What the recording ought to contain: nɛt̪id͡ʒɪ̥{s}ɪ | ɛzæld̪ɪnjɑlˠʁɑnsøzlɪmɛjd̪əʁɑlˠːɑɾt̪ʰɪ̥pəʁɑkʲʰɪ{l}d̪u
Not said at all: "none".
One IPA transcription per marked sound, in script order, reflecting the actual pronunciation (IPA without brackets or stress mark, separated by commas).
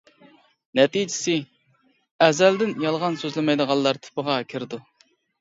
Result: s, ɾ